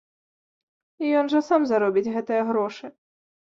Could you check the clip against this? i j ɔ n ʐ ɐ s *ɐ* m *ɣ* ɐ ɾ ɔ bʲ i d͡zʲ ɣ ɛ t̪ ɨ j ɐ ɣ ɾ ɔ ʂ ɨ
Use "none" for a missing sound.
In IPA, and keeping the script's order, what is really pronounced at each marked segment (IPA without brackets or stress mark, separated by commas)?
a, z